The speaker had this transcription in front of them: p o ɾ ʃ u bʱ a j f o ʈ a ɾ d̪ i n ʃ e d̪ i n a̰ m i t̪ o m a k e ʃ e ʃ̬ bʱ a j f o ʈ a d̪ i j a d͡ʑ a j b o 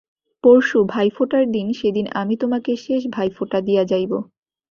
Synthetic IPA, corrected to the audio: p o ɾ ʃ u bʱ a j f o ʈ a ɾ d̪ i n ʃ e d̪ i n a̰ m i t̪ o m a k e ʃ e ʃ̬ bʱ a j f o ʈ a d̪ i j a d͡ʑ a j b o